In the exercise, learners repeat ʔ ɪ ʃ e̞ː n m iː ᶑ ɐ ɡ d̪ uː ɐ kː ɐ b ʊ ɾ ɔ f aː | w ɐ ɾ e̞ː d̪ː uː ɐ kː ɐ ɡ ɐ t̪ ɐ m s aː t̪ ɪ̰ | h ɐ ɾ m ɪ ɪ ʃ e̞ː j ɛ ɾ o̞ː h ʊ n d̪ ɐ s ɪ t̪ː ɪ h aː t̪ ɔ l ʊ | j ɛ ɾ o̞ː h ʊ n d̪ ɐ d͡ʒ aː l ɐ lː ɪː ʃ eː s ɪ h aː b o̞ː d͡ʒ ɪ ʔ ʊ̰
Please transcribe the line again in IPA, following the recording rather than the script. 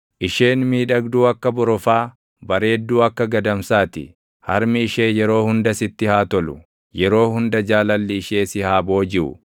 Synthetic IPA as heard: ʔ ɪ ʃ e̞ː n m iː ᶑ ɐ ɡ d̪ uː ɐ kː ɐ b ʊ ɾ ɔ f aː | b ɐ ɾ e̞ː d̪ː uː ɐ kː ɐ ɡ ɐ d̪ ɐ m s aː t̪ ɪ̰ | h ɐ ɾ m ɪ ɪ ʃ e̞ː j ɛ ɾ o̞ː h ʊ n d̪ ɐ s ɪ t̪ː ɪ h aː t̪ ɔ l ʊ | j ɛ ɾ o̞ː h ʊ n d̪ ɐ d͡ʒ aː l ɐ lː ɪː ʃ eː s ɪ h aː b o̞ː d͡ʒ ɪ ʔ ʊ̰